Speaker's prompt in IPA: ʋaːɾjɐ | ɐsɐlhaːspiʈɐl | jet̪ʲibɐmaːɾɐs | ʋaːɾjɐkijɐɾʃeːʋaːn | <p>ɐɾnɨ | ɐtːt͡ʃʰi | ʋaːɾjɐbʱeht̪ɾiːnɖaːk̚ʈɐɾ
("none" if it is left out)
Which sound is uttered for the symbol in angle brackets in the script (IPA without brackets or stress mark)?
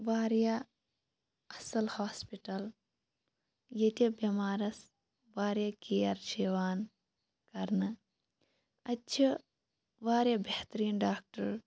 k